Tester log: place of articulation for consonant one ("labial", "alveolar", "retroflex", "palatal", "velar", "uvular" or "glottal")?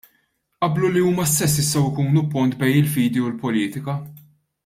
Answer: glottal